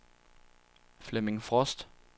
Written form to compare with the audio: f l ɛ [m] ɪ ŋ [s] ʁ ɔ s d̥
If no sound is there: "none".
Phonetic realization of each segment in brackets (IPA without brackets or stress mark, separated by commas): m, f